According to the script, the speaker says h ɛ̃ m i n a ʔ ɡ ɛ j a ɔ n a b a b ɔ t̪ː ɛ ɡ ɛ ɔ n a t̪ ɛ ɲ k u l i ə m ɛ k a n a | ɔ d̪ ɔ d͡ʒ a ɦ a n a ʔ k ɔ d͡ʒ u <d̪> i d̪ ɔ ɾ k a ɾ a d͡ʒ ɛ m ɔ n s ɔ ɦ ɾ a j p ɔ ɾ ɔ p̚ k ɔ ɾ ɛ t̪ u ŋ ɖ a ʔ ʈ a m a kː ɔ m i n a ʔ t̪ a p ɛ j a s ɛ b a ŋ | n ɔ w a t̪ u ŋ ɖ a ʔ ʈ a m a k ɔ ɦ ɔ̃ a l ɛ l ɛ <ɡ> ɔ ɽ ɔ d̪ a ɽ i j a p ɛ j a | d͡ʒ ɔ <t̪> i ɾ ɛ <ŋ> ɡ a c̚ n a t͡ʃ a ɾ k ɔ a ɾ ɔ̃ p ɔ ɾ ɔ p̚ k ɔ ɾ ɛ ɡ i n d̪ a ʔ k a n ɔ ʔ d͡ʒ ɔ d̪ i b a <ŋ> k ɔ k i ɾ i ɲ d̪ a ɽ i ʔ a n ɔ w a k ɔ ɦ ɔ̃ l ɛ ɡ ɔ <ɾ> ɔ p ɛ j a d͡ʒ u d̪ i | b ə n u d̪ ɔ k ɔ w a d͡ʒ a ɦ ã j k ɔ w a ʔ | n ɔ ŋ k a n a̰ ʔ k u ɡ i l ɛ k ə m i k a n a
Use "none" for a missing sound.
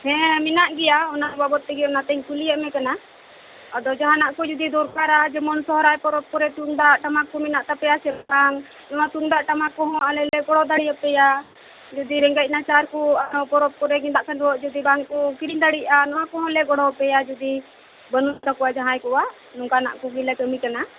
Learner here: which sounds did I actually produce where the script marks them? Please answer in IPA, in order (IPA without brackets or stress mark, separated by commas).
d̪, ɡ, d̪, ŋ, ŋ, ɽ